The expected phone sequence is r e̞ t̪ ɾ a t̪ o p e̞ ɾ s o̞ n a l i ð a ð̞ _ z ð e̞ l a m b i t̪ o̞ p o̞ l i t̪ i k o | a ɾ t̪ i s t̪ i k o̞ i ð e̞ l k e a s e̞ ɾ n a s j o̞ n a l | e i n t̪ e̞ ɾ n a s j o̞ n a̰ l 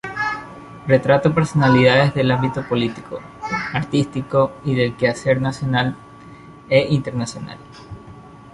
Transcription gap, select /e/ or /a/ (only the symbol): e